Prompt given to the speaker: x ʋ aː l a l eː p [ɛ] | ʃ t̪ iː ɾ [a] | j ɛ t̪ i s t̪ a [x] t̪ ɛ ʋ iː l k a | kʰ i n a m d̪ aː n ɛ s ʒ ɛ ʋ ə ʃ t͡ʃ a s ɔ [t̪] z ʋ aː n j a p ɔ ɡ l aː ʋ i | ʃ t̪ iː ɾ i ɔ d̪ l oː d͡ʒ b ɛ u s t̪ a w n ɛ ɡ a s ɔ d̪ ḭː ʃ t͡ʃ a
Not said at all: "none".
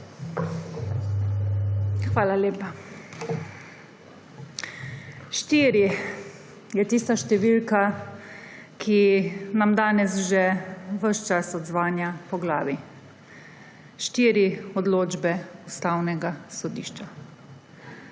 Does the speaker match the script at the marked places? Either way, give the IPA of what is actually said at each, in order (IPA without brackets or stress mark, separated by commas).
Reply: a, i, ʃ, d̪